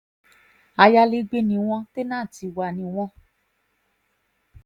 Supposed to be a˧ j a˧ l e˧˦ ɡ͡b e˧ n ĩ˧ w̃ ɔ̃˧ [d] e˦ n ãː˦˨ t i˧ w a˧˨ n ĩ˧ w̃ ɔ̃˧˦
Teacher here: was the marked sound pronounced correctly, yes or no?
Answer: no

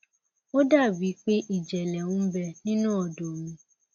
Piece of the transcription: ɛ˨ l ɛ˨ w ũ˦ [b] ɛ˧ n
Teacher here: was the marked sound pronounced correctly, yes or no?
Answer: yes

